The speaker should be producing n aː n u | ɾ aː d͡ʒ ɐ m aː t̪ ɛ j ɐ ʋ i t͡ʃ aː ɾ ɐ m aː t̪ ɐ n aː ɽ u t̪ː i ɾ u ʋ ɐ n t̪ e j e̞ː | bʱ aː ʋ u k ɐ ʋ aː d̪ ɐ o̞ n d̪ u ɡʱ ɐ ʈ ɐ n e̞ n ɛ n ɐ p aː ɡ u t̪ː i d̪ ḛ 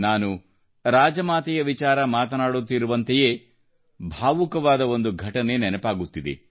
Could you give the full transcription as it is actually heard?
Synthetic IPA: n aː n u | ɾ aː d͡ʒ ɐ m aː t̪ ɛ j ɐ ʋ i t͡ʃ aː ɾ ɐ m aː t̪ ɐ n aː ɽ u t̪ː i ɾ u ʋ ɐ n t̪ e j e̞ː | bʱ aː ʋ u k ɐ ʋ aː d̪ ɐ o̞ n d̪ u ɡʱ ɐ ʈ ɐ n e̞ n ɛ n ɐ p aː ɡ u t̪ː i d̪ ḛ